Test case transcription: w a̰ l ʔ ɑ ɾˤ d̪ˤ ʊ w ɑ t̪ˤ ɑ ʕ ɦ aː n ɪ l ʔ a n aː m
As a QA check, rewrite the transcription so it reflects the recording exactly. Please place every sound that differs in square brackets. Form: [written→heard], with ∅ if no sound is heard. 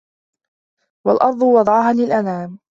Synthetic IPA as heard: w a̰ l ʔ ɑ ɾˤ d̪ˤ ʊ w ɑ [t̪ˤ→d̪ˤ] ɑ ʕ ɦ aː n ɪ l ʔ a n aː m